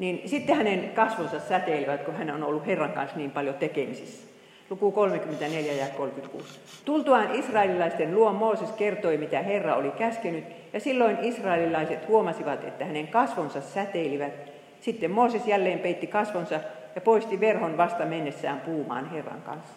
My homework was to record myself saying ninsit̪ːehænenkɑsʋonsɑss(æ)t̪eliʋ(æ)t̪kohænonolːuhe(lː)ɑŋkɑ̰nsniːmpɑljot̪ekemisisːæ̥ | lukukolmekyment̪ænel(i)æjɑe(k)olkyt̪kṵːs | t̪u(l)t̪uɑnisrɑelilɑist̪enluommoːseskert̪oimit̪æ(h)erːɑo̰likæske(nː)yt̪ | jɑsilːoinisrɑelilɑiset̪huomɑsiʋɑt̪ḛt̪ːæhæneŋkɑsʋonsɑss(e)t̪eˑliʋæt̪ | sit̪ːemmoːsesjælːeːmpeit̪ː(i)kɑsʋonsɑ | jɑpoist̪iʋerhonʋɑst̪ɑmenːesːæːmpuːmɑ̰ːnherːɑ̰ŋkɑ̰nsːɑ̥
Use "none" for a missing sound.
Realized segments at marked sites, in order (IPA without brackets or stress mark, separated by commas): æ, æ, rː, j, k, l, h, n, æ, i